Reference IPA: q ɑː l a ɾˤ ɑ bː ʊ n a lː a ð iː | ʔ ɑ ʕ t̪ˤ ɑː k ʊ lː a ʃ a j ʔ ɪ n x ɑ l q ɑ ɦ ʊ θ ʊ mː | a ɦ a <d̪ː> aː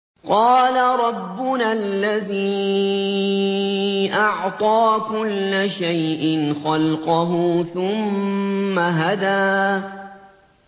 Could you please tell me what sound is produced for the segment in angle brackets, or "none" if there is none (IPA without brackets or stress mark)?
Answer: d̪